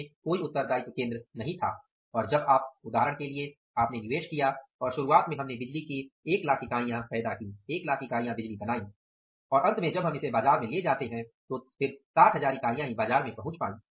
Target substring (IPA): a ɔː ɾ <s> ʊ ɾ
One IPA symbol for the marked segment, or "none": ʃ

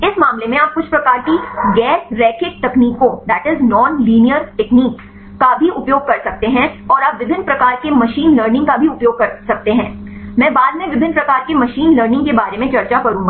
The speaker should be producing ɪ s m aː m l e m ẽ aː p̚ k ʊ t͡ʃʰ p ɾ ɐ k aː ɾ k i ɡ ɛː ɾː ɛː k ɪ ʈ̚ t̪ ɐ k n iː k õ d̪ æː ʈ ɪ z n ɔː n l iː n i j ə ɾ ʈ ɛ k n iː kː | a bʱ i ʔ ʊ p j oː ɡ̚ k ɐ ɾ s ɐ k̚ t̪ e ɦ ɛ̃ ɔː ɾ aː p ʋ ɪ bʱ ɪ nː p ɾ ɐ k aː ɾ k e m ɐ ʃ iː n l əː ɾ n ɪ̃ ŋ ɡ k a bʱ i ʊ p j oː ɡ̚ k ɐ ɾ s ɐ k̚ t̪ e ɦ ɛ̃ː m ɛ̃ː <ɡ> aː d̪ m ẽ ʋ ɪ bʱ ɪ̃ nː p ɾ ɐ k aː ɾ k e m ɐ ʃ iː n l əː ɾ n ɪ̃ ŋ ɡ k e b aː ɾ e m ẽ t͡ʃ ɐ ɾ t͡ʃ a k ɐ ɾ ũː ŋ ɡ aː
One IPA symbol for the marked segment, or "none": b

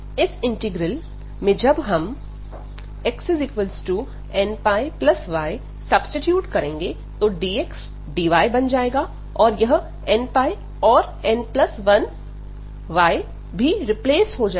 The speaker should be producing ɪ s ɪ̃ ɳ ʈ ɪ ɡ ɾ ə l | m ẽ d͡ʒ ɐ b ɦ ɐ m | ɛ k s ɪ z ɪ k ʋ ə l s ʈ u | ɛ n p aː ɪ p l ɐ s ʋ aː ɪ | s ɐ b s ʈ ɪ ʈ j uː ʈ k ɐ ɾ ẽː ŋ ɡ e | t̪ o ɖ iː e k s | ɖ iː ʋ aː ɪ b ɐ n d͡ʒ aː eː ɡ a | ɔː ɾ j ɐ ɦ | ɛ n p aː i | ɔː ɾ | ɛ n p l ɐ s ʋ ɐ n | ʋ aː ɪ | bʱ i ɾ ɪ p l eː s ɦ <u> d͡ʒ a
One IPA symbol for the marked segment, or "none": o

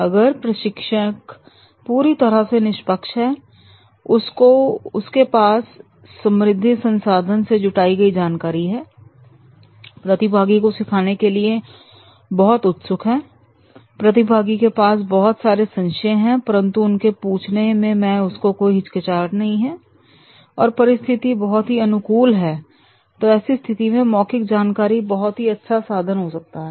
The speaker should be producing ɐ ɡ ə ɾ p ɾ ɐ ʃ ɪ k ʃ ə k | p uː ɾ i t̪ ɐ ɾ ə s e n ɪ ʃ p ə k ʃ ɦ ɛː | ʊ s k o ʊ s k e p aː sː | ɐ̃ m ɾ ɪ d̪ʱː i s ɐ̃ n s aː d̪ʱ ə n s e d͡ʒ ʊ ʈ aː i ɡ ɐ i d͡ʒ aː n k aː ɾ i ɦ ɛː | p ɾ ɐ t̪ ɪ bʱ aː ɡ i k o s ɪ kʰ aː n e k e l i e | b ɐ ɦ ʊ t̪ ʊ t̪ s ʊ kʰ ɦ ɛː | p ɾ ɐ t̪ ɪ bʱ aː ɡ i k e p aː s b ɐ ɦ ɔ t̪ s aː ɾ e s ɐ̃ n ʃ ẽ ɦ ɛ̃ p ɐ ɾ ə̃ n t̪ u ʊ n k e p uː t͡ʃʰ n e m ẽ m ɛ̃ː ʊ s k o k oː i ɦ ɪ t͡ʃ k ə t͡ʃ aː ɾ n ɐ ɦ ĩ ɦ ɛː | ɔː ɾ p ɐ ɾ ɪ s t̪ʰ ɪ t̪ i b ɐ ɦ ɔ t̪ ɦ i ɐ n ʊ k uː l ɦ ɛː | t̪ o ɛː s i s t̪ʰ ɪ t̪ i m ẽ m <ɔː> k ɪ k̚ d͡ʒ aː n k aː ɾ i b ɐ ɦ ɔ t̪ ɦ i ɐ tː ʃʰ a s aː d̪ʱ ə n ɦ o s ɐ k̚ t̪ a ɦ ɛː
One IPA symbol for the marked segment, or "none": ɔː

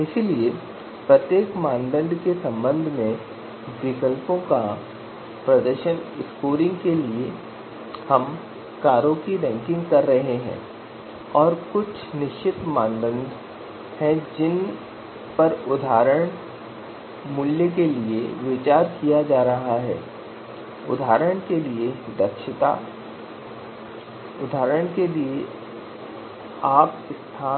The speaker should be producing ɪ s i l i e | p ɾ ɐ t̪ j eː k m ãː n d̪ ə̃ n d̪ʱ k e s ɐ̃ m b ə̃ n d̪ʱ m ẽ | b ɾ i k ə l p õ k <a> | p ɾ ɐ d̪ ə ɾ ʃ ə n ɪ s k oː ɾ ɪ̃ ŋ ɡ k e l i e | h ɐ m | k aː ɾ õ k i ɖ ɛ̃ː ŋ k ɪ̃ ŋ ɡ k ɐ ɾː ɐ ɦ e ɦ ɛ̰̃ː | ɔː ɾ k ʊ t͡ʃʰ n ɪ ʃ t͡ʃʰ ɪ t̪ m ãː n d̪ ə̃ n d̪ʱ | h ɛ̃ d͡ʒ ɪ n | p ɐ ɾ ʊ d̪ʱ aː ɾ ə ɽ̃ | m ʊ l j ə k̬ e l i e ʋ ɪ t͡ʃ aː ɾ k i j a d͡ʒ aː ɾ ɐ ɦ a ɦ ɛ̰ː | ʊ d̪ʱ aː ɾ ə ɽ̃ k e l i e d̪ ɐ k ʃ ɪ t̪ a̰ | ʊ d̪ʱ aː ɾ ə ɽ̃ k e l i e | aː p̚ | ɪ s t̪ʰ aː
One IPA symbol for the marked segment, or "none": a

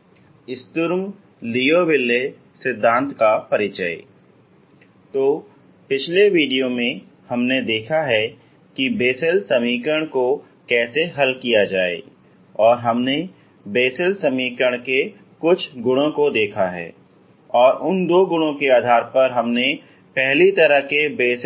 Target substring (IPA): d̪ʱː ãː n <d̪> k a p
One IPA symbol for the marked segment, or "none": t̪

